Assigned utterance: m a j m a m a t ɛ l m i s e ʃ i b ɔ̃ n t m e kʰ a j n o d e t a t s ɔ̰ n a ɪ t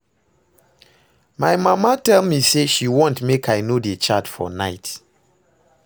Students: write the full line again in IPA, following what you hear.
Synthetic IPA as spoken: m a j m a m a t ɛ l m i s e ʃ i w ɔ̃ n t m e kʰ a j n o d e t͡ʃ a t f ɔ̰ n a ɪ t